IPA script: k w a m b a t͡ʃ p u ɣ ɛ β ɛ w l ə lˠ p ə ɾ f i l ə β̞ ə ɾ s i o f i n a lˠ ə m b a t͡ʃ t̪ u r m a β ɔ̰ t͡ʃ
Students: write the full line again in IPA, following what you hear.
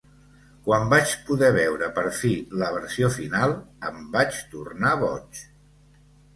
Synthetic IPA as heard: k w a m b a t͡ʃ p u ð ɛ β ɛ w ɾ ə p ə ɾ f i l ə β̞ ə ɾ s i o f i n a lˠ ə m b a t͡ʃ t̪ u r n a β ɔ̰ t͡ʃ